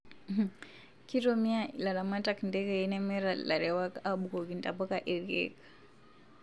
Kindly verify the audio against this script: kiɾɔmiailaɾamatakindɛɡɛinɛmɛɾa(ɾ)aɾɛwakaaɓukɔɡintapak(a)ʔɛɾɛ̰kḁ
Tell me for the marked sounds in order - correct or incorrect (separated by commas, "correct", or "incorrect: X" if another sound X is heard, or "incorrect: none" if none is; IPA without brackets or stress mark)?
incorrect: l, correct